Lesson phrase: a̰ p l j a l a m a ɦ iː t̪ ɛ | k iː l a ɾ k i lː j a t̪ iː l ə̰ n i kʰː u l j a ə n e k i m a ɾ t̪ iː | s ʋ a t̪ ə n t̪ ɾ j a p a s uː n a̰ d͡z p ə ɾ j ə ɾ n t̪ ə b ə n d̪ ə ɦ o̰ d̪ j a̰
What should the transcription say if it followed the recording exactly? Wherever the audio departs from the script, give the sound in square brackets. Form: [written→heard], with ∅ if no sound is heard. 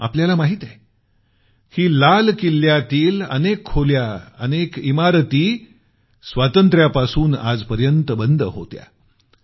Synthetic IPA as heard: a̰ p l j a l a m a ɦ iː t̪ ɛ | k iː l a [ɾ→l] k i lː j a t̪ iː l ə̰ n [i→e] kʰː [u→o] l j a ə n e k i m a ɾ t̪ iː | s ʋ a t̪ ə n t̪ ɾ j a p a s uː n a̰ d͡z p ə ɾ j ə [ɾ→∅] n t̪ ə b ə n d̪ ə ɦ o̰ [d̪→t̪] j a̰